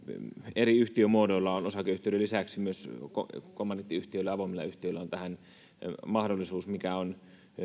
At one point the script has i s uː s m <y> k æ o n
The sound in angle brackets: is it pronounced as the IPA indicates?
no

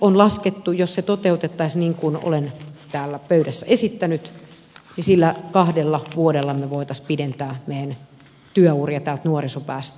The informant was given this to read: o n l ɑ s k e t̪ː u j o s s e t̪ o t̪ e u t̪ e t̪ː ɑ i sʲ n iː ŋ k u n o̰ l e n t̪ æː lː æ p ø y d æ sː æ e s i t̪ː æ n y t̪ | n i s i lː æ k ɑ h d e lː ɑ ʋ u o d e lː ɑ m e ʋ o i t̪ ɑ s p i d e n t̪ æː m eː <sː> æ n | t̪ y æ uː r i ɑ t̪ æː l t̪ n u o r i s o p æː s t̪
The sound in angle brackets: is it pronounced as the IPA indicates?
no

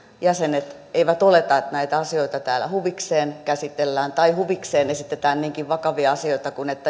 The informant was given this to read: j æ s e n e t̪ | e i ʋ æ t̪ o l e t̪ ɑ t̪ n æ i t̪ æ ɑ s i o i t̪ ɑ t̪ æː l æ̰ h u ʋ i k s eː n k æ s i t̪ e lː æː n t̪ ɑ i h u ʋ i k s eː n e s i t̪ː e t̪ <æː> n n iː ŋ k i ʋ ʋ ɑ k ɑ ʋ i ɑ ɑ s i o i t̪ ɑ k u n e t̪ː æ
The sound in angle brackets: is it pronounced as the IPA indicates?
yes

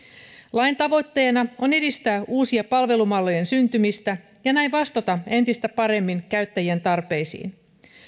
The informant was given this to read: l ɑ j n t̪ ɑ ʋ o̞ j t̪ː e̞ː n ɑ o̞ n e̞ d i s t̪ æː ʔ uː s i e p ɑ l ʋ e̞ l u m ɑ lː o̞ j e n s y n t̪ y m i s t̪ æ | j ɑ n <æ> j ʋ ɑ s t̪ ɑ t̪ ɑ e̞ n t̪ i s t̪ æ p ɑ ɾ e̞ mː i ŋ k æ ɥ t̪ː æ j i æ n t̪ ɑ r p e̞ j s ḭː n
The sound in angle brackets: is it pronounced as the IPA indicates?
yes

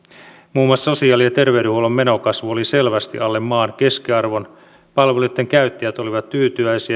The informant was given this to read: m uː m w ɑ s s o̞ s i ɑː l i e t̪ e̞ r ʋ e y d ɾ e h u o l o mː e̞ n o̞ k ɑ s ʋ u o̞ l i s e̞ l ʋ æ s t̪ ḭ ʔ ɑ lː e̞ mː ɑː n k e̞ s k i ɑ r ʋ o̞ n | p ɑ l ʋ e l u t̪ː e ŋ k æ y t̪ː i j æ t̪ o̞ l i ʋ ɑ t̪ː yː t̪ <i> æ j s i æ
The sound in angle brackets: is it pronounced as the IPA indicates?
no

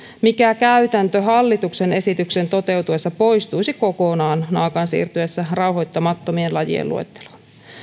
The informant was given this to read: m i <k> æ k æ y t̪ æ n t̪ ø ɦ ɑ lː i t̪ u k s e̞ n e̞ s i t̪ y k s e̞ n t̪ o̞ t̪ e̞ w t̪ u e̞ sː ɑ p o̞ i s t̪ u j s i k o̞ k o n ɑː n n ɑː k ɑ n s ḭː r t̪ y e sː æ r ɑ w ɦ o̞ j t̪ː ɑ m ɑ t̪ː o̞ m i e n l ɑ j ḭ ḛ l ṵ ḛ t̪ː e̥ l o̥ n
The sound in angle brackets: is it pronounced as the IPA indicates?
yes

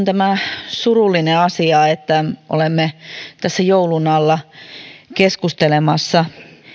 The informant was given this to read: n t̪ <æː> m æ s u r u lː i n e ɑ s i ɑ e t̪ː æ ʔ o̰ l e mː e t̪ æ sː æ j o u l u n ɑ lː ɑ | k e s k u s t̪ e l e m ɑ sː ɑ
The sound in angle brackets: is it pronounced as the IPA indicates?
no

